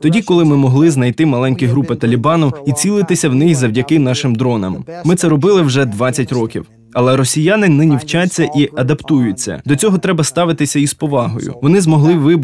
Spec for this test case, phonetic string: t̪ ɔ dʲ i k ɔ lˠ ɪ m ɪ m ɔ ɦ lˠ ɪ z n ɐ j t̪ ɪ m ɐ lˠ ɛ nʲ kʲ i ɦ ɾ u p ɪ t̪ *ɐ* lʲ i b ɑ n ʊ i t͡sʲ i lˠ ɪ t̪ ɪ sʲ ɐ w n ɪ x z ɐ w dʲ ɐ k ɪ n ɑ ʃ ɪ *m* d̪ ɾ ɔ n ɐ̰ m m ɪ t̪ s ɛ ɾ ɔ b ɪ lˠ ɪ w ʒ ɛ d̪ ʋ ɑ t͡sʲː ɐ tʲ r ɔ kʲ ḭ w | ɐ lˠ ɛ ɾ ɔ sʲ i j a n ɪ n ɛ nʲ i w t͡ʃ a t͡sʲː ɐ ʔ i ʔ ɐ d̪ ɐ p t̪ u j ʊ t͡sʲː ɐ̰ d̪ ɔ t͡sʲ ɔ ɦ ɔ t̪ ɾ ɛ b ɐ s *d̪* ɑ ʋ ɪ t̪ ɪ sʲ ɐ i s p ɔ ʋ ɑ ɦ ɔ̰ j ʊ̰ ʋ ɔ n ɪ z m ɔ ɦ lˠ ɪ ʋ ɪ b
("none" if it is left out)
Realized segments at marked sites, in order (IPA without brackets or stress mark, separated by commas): ɐ, m, t̪